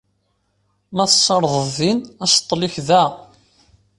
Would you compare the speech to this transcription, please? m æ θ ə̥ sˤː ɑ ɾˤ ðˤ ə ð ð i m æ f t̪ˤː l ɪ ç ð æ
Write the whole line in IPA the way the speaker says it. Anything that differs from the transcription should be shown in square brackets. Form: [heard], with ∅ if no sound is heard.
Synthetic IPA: m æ θ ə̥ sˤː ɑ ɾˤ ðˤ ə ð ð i [n] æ [s] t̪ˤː l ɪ ç ð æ